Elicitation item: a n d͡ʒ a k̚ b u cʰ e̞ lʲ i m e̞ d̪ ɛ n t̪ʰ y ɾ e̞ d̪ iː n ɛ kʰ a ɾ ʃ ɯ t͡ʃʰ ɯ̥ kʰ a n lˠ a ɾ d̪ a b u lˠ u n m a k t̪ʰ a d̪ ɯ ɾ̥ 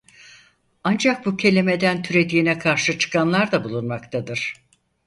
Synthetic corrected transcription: a n d͡ʒ a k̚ b u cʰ e̞ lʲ i m e̞ d̪ æ n t̪ʰ y ɾ e̞ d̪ iː n ɛ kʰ a ɾ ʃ ɯ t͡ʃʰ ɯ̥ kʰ a n lˠ a ɾ d̪ a b u lˠ u n m a k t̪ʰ a d̪ ɯ ɾ̥